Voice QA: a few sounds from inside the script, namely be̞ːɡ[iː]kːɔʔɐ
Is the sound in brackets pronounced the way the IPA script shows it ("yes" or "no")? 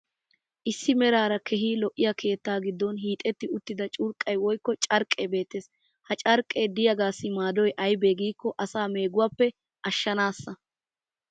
yes